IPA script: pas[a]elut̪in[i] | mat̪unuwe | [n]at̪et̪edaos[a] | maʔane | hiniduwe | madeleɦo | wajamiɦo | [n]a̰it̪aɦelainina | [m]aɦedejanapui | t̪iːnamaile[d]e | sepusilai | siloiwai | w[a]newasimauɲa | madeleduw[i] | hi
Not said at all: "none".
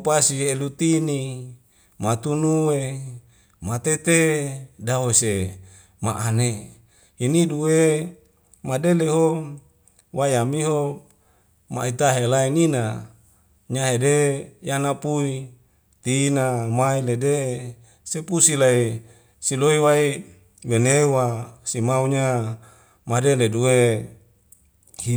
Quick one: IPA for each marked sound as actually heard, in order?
i, i, m, e, m, ɲ, d, e, e

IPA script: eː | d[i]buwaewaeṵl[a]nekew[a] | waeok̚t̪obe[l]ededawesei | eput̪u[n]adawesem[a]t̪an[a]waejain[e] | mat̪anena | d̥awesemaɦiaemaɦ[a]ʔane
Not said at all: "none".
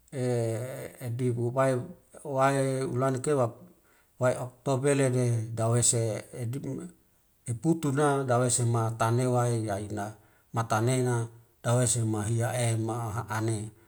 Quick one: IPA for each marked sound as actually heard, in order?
i, a, a, l, n, a, e, a, a

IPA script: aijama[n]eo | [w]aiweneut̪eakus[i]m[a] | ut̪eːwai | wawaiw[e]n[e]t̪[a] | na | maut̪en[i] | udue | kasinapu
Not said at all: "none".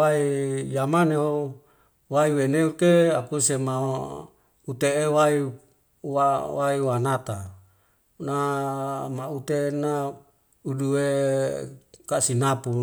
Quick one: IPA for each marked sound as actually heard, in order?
n, w, e, a, a, a, a, a

